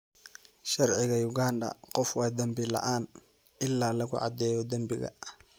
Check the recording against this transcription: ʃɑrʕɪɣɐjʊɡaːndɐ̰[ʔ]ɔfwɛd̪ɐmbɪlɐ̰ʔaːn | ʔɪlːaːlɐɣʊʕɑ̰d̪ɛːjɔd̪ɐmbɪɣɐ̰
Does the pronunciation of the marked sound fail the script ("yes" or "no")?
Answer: yes